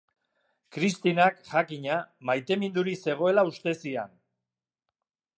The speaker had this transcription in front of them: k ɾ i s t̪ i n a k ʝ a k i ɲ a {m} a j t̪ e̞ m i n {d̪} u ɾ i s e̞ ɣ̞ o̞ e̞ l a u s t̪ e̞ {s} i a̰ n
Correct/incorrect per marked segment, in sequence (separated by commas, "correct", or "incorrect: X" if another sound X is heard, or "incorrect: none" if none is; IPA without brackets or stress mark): correct, correct, correct